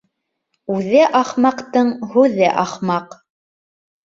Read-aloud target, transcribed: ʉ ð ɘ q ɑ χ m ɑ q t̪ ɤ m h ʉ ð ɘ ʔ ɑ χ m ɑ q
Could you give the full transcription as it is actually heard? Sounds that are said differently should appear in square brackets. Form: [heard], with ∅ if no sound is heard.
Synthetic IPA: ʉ ð ɘ [ʔ] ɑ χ m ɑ q t̪ ɤ [ɴ] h ʉ ð ɘ ʔ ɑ χ m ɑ q